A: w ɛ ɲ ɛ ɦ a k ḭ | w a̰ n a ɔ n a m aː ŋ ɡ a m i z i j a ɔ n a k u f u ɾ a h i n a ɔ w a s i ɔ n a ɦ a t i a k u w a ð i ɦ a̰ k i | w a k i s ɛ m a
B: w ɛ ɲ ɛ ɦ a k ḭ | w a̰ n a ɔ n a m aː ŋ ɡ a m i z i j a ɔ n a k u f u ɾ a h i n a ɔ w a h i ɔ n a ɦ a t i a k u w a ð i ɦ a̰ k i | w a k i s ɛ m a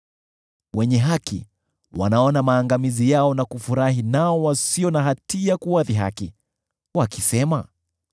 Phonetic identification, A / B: A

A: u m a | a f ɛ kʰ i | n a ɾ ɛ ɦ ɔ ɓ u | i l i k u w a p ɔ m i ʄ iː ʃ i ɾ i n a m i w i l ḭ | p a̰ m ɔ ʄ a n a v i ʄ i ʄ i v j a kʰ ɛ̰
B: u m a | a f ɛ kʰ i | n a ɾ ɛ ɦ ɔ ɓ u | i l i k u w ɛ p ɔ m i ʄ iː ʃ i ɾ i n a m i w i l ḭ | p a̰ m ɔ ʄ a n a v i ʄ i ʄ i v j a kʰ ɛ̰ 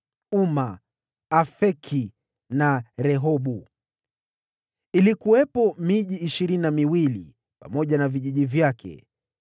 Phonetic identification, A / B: B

